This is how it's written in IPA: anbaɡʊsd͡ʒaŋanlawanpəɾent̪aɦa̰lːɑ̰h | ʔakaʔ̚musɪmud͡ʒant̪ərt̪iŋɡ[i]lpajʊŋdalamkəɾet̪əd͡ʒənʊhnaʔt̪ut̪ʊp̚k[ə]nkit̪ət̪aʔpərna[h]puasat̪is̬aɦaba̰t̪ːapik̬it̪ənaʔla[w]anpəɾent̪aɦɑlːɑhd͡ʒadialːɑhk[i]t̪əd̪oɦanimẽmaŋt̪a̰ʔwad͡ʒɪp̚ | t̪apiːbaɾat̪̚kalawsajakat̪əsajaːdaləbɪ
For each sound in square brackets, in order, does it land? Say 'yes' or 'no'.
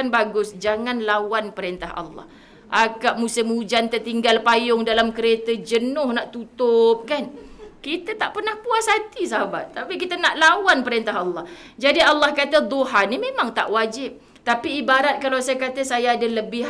no, no, yes, yes, no

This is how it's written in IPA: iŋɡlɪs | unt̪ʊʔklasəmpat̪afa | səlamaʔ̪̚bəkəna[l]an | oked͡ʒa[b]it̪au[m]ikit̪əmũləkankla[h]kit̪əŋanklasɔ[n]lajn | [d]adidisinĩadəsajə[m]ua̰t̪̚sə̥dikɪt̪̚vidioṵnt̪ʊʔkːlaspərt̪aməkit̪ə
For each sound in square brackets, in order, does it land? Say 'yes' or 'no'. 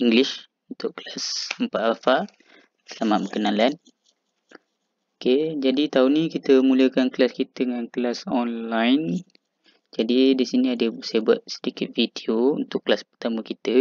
yes, no, no, no, yes, no, no

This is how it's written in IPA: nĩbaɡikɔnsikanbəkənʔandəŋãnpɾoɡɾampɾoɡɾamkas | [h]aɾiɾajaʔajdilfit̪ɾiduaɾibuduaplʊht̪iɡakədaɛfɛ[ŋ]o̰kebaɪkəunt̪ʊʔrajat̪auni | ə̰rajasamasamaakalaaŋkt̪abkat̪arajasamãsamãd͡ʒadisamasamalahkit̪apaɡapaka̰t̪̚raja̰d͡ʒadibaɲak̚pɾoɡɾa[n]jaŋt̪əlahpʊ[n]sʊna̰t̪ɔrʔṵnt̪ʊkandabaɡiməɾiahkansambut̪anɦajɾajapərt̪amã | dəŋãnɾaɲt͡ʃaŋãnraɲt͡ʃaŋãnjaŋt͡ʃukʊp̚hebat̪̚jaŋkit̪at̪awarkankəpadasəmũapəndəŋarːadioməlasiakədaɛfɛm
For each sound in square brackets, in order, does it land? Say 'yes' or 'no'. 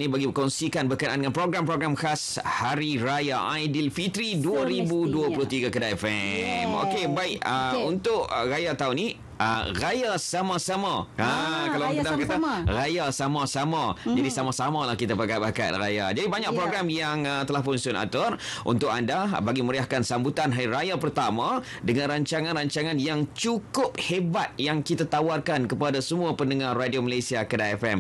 yes, no, no, yes

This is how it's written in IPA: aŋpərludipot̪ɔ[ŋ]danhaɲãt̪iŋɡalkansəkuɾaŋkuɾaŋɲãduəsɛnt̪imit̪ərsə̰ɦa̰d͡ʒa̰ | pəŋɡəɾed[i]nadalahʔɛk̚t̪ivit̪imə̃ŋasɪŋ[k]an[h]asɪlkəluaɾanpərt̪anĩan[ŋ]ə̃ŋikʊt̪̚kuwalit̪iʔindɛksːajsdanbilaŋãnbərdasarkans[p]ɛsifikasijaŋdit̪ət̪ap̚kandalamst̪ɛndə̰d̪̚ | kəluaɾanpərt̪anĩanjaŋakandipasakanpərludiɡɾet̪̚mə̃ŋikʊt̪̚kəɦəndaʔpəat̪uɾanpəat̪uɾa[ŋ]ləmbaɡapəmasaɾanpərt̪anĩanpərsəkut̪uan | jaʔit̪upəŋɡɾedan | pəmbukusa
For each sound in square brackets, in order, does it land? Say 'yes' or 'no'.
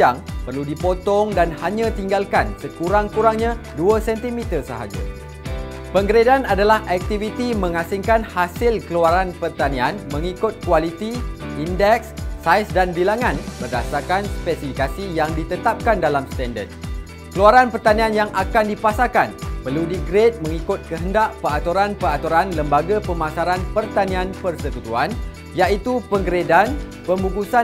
yes, no, yes, yes, no, yes, no

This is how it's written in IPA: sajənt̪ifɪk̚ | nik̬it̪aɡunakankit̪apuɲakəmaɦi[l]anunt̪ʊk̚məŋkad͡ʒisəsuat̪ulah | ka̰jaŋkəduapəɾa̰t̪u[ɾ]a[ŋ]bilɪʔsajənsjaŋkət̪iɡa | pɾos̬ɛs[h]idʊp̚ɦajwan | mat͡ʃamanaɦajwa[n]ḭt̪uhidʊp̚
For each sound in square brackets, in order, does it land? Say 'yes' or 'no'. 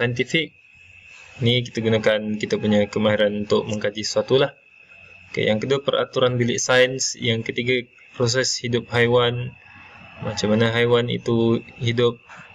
no, yes, no, yes, yes

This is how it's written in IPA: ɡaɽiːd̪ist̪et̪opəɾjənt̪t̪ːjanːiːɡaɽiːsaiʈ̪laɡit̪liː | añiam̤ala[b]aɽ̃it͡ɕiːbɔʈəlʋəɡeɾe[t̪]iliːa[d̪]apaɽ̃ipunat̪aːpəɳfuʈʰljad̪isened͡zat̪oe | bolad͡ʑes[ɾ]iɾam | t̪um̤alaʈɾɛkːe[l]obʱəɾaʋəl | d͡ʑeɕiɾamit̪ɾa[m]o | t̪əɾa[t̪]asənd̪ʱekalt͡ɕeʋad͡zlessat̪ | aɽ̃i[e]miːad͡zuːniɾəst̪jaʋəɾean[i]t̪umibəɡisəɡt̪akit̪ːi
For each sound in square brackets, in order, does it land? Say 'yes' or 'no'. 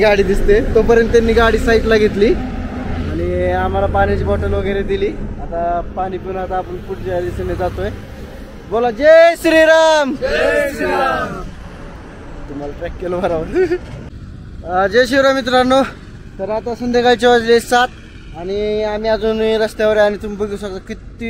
no, no, no, yes, yes, no, yes, no, yes

